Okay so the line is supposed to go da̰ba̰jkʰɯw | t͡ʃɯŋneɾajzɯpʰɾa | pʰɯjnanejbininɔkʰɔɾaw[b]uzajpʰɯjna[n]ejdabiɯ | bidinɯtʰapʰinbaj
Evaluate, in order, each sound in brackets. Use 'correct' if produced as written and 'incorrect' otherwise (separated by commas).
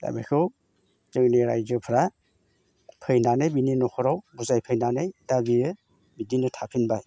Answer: correct, correct